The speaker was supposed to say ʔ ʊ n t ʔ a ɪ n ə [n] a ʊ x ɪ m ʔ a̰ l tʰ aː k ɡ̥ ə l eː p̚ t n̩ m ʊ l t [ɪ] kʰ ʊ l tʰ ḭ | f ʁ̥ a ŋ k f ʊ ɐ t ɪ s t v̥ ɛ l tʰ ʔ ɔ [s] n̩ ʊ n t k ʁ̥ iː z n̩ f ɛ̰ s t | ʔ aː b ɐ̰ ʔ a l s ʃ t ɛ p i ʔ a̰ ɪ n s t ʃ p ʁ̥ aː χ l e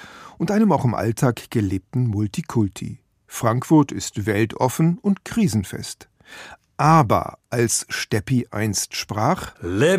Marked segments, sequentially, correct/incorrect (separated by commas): incorrect, incorrect, incorrect